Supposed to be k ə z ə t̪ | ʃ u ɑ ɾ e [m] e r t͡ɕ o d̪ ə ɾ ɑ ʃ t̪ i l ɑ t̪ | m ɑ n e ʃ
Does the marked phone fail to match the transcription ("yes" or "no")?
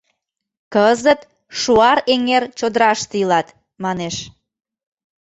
yes